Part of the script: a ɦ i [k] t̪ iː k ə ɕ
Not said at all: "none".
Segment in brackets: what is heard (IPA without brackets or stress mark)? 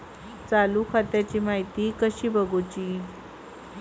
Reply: none